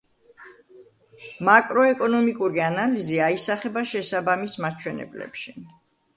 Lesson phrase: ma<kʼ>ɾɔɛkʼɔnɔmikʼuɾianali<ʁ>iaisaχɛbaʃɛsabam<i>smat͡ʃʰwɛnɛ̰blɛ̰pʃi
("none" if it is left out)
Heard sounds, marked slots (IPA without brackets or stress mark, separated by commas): kʼ, z, i